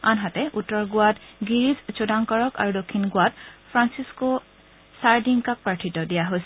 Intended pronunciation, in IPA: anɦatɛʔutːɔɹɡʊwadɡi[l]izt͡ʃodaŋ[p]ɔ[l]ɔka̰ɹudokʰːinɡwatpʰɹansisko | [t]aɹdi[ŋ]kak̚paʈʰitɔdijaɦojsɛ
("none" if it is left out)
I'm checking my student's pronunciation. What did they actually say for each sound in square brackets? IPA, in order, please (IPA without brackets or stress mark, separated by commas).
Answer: ɹ, k, ɹ, s, ŋ